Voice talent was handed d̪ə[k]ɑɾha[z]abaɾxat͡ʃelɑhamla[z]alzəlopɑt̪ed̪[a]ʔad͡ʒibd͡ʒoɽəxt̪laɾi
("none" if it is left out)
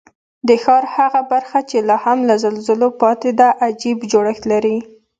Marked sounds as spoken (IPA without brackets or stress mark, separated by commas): x, ɣ, z, a